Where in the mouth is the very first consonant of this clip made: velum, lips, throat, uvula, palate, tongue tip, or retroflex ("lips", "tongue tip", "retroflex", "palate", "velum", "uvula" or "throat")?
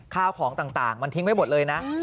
velum